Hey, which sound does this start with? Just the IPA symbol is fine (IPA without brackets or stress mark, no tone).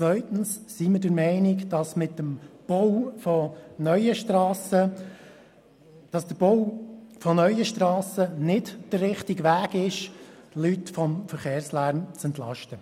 t͡s